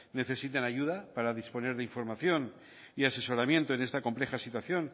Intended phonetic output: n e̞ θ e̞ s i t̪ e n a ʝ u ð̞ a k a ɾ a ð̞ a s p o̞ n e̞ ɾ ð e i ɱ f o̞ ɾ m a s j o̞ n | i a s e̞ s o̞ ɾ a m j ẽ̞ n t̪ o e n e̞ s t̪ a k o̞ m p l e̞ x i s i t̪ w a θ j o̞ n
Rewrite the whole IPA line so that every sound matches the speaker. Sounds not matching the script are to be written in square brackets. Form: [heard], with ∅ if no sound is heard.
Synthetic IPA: n e̞ θ e̞ s i t̪ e n a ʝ u ð̞ a [p] a ɾ a ð̞ [i] s p o̞ n e̞ ɾ ð e i ɱ f o̞ ɾ m a [θ] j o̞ n | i a s e̞ s o̞ ɾ a m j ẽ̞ n t̪ o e n e̞ s t̪ a k o̞ m p l e̞ x [a] s i t̪ w a θ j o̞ n